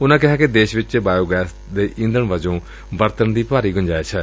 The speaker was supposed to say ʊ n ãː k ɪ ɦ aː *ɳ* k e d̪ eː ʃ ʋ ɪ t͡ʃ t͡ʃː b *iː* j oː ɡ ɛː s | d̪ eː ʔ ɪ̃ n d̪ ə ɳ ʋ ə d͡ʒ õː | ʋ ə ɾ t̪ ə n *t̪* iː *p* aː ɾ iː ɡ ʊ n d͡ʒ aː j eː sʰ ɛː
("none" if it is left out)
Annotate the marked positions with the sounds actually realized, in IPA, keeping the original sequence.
none, aː, d̪, p

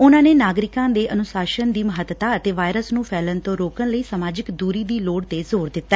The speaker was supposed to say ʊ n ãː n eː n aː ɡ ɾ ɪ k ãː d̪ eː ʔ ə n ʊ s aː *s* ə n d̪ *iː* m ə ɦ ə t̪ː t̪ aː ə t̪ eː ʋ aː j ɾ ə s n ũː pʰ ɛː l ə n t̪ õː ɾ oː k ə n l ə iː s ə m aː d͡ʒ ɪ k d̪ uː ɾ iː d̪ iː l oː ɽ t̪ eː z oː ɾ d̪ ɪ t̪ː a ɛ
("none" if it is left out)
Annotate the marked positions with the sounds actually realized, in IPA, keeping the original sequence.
ʃ, iː

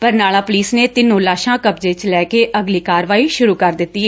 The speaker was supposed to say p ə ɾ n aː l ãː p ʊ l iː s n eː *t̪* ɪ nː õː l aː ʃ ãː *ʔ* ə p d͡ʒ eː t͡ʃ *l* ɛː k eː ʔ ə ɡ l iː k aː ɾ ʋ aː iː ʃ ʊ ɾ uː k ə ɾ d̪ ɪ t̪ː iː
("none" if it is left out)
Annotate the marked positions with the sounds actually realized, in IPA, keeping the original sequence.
t̪, k, l

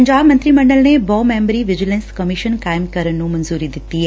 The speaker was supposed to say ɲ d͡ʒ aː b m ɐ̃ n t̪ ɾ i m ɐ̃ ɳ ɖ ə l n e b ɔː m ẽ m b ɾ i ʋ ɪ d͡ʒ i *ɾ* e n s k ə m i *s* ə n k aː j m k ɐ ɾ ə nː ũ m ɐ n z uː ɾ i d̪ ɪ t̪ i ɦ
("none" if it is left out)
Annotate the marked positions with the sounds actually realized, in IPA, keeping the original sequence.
l, ʃ

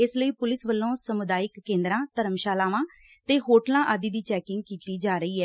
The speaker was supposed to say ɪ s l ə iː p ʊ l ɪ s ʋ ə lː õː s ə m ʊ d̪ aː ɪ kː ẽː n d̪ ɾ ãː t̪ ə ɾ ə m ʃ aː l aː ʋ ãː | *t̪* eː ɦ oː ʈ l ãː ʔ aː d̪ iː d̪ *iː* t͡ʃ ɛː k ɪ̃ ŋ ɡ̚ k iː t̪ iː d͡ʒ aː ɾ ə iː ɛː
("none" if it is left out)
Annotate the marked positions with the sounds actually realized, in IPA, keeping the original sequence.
t̪, iː

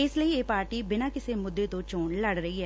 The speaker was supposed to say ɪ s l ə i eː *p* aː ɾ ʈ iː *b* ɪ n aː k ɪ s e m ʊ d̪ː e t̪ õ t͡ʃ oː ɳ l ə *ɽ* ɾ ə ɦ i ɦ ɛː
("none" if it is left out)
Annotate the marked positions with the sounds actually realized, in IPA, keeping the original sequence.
p, b, ɽ

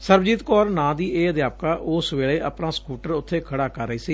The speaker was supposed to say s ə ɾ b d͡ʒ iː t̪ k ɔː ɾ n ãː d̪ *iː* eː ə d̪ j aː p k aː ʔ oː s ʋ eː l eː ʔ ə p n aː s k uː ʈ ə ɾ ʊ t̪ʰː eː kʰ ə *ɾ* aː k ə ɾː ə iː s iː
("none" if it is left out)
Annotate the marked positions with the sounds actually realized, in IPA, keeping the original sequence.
iː, ɽ

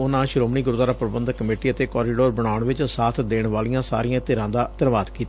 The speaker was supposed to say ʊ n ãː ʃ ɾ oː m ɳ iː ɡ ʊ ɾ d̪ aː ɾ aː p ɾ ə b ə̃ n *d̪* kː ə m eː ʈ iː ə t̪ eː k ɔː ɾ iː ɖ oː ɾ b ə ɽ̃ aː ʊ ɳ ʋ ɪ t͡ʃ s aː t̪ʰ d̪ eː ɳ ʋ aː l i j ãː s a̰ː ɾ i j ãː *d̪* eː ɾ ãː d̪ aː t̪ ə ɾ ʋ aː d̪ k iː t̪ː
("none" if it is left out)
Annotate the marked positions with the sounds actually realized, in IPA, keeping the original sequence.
d̪, t̪

